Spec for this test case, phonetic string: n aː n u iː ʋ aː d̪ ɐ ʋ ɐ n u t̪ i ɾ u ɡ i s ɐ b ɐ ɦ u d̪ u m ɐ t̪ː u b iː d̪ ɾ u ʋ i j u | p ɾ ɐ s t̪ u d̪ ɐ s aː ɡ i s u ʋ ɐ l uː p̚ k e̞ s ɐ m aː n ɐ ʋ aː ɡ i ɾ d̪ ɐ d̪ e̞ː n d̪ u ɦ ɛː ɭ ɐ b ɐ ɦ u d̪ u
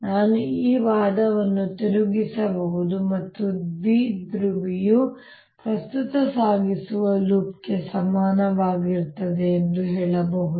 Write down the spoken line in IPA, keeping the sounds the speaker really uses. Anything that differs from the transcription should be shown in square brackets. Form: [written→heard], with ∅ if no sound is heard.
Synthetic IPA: n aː n u iː ʋ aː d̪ ɐ ʋ ɐ [n→nː] u t̪ i ɾ u ɡ i s ɐ b ɐ ɦ u d̪ u m ɐ t̪ː u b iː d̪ ɾ u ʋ i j u | p ɾ ɐ s t̪ u [d̪→t̪] ɐ s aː ɡ i s u ʋ ɐ l uː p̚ k e̞ s ɐ m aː n ɐ ʋ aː ɡ i ɾ [d̪→t̪] ɐ d̪ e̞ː n d̪ u ɦ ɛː ɭ ɐ b ɐ ɦ u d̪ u

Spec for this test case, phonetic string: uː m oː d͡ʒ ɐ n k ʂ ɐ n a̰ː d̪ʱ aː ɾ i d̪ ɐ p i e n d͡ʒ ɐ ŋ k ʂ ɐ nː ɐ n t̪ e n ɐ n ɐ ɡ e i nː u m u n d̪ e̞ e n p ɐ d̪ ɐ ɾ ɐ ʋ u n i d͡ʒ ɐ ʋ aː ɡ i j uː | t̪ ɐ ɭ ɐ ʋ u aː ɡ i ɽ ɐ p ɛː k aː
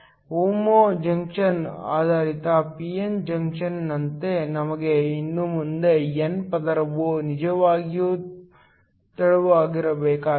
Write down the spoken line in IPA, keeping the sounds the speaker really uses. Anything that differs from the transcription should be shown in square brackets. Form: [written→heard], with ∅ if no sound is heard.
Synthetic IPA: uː m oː d͡ʒ ɐ [n→ŋ] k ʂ ɐ n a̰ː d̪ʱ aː ɾ i [d̪→t̪] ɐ p i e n d͡ʒ ɐ ŋ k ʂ ɐ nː ɐ n t̪ e n ɐ [n→m] ɐ ɡ e i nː u m u n d̪ e̞ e n p ɐ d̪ ɐ ɾ ɐ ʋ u n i d͡ʒ ɐ ʋ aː ɡ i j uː | t̪ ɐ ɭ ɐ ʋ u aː ɡ i [ɽ→ɾ] ɐ [p→b] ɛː k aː

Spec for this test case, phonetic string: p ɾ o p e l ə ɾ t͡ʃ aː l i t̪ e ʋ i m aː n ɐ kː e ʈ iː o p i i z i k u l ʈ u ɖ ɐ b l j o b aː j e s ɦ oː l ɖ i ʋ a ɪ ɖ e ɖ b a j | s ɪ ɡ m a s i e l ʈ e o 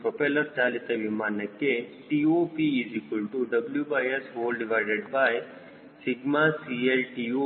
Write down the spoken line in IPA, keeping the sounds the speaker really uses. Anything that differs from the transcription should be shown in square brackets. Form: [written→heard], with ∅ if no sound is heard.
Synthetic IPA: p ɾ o p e l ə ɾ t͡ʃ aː l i t̪ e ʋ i m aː n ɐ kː e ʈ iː o p i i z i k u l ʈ u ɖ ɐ b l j [o→u] b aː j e s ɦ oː l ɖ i ʋ a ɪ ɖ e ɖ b a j | s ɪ ɡ m a s i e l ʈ [e→i] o

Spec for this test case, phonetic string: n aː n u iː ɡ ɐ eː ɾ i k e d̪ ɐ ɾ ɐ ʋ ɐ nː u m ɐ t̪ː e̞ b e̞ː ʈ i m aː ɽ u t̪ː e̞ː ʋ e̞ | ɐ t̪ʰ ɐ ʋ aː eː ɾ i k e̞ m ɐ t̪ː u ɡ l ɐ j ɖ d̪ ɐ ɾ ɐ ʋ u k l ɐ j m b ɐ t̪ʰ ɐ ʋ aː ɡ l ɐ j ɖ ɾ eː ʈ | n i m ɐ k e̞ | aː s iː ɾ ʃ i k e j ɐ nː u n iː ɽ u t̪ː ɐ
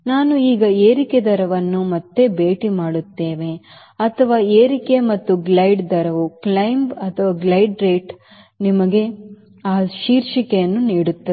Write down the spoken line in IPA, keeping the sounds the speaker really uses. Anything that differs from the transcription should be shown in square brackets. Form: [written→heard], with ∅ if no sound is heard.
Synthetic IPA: n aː n u iː ɡ ɐ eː ɾ i k e d̪ ɐ ɾ ɐ ʋ ɐ nː u m ɐ t̪ː e̞ b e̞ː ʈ i m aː ɽ u t̪ː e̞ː ʋ e̞ | ɐ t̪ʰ ɐ ʋ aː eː ɾ i k e̞ m ɐ t̪ː u ɡ l ɐ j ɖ d̪ ɐ ɾ ɐ ʋ u k l ɐ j m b ɐ t̪ʰ ɐ ʋ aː ɡ l ɐ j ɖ ɾ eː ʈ | n i m ɐ [k→ɡ] e̞ | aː [s→ʃ] iː ɾ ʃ i k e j ɐ nː u n iː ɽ u t̪ː ɐ

